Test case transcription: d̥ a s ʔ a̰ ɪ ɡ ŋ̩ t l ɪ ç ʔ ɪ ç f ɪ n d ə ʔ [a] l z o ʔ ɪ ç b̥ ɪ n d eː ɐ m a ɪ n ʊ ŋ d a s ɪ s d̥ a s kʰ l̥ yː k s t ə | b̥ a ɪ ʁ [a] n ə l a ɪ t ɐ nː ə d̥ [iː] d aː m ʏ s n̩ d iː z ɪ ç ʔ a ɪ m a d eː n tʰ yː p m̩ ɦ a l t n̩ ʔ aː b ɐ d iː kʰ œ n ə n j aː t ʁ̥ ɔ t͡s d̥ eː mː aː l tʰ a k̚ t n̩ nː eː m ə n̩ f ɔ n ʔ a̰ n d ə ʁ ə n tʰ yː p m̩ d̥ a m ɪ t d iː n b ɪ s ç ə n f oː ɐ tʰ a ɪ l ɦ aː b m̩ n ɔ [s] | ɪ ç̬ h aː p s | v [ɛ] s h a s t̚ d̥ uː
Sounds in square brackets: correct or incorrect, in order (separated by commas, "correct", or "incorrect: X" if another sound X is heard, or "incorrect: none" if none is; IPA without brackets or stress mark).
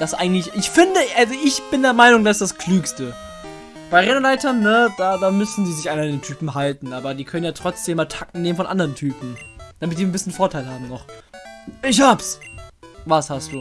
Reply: correct, incorrect: ɛ, incorrect: aː, incorrect: χ, incorrect: a